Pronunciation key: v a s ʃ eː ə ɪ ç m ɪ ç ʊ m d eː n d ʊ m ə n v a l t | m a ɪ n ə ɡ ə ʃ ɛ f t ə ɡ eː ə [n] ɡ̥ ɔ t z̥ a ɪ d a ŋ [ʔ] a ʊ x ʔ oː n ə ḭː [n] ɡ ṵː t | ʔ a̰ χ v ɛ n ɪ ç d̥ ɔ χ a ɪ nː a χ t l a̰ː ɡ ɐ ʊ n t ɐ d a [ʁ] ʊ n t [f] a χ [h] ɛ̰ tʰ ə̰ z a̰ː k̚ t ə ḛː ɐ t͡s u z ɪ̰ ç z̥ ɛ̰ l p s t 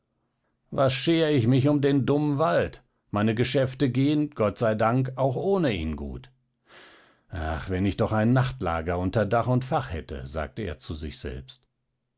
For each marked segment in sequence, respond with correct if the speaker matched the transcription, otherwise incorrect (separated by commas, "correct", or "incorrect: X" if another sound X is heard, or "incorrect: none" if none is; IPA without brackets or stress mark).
correct, incorrect: k, correct, incorrect: χ, correct, correct